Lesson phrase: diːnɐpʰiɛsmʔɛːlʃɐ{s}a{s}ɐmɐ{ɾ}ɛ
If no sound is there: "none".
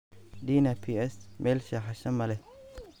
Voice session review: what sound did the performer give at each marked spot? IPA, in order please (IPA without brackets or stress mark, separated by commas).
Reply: ħ, ʃ, l